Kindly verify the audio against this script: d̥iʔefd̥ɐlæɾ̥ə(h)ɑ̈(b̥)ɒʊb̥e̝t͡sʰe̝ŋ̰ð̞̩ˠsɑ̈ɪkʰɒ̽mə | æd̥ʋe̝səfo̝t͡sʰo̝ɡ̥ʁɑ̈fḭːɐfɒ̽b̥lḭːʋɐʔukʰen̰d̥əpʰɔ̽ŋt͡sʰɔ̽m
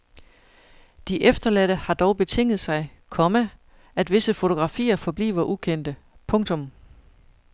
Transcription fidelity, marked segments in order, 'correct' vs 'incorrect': correct, incorrect: d̥

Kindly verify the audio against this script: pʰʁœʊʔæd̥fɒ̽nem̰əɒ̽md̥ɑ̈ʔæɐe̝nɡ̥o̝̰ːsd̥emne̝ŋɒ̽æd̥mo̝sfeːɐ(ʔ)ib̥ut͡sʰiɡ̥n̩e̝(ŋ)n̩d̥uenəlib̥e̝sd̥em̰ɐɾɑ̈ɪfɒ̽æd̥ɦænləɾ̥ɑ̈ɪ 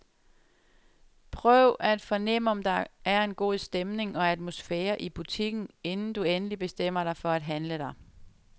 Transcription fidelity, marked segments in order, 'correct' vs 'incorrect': correct, incorrect: n

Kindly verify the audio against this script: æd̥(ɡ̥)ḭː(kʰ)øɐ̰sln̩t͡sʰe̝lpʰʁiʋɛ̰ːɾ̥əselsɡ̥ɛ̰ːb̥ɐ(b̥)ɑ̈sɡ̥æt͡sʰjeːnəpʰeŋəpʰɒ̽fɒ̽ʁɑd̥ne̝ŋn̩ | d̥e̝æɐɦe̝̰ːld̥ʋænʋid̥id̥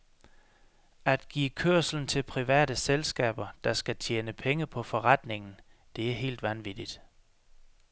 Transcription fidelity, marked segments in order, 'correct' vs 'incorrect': correct, correct, incorrect: d̥

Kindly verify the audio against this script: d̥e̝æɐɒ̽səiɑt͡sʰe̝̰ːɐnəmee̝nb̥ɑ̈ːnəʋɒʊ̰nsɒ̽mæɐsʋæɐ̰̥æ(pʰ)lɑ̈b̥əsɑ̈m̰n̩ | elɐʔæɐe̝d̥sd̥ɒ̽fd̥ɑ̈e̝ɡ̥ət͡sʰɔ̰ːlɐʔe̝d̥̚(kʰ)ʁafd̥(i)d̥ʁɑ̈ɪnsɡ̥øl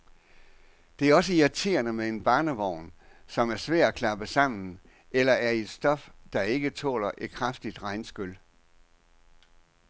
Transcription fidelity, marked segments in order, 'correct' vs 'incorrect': incorrect: kʰ, correct, correct

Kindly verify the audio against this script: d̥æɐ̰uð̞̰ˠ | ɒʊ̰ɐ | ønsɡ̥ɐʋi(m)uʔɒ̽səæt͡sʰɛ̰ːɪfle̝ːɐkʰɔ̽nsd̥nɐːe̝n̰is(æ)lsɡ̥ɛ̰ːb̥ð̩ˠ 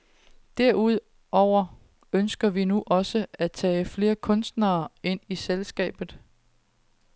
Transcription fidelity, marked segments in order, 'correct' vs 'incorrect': incorrect: n, incorrect: e

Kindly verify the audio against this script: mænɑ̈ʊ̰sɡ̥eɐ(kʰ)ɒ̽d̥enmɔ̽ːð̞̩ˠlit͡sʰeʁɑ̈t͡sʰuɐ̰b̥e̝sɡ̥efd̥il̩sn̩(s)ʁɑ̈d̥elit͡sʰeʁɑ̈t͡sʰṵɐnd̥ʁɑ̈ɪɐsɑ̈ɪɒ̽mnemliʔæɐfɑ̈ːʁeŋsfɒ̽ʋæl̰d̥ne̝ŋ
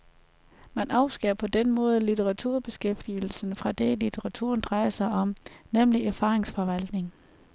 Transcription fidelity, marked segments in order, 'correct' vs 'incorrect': incorrect: pʰ, incorrect: f

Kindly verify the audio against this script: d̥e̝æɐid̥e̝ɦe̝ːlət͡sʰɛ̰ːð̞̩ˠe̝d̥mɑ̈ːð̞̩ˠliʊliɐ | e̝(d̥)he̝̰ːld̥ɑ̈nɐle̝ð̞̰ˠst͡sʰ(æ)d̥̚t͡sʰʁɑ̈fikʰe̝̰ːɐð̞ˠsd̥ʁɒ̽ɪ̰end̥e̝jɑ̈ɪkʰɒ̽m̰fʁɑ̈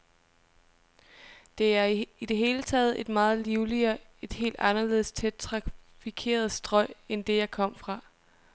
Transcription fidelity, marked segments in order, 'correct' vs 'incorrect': correct, incorrect: e

